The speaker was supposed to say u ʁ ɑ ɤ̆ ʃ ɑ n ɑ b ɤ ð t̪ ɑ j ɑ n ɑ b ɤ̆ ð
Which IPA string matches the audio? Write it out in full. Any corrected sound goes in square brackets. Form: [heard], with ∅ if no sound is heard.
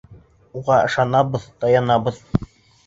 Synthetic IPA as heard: u ʁ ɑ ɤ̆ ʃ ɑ n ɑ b ɤ ð t̪ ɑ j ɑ n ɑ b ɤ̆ ð

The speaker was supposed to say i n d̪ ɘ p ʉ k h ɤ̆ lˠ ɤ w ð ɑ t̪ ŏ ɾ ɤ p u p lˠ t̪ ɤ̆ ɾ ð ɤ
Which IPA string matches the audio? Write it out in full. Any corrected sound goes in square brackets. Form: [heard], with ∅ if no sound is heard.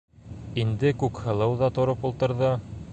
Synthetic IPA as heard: i n d̪ ɘ [k] ʉ k h ɤ̆ lˠ ɤ w ð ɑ t̪ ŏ ɾ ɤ p u [∅] lˠ t̪ ɤ̆ ɾ ð ɤ

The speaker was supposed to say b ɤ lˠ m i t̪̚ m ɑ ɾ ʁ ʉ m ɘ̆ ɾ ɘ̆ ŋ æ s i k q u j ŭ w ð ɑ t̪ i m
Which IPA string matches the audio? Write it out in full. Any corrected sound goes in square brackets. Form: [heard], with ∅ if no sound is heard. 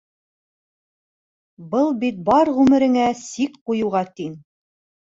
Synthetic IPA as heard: b ɤ lˠ [b] i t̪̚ [b] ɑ ɾ ʁ ʉ m ɘ̆ ɾ ɘ̆ ŋ æ s i k q u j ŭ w [ʁ] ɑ t̪ i [n]

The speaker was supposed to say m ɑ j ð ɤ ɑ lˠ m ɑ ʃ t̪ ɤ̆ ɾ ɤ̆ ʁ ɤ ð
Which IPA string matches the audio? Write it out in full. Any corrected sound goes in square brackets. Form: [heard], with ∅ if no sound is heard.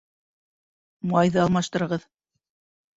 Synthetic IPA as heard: m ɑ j ð ɤ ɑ lˠ m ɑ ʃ t̪ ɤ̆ ɾ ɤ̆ ʁ ɤ ð

